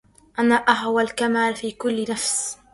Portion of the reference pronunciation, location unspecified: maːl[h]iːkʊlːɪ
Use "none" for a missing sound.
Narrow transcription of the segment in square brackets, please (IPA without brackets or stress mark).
f